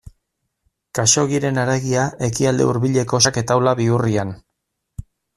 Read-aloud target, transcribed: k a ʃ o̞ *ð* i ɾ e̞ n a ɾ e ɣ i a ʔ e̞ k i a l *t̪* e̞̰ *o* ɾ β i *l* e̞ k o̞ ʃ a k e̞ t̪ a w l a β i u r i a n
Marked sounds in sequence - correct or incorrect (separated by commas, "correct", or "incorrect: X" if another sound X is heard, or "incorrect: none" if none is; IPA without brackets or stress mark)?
incorrect: ɣ, incorrect: d̪, incorrect: u, incorrect: ʎ